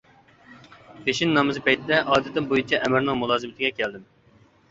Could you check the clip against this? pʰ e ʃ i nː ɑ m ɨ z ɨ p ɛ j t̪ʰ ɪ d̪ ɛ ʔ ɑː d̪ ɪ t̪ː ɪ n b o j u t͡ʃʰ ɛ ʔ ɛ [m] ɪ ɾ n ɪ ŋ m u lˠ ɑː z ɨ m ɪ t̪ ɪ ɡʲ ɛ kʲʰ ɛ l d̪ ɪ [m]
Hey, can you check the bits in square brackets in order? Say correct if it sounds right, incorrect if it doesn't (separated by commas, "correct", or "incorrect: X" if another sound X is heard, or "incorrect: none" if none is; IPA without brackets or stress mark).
correct, correct